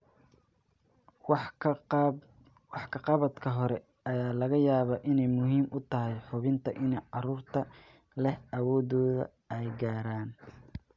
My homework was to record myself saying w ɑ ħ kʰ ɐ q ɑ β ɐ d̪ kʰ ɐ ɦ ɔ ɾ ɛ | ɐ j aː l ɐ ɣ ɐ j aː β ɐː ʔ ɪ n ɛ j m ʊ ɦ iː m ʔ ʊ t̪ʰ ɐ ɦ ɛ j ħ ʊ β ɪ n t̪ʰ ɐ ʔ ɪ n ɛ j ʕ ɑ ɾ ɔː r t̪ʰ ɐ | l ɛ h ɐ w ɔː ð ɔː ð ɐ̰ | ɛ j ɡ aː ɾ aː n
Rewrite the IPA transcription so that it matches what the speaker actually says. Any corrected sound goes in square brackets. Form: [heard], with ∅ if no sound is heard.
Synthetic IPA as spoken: w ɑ ħ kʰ ɐ q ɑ β ɐ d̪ kʰ ɐ ɦ ɔ ɾ ɛ | ɐ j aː l ɐ ɣ ɐ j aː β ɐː ʔ ɪ n ɛ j m ʊ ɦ iː m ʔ ʊ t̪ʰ ɐ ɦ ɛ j ħ ʊ β ɪ n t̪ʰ ɐ ʔ ɪ n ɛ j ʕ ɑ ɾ [uː] r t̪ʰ ɐ | l ɛ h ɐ w ɔː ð ɔː ð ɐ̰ | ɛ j ɡ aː ɾ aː n